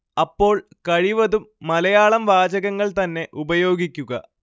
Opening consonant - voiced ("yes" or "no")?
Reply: no